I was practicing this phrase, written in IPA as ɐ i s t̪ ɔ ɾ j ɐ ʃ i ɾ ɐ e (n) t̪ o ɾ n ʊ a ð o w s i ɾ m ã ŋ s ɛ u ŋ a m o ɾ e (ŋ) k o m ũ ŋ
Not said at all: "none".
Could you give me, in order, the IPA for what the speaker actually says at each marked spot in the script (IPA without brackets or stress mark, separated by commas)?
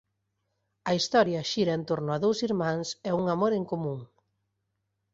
n, ŋ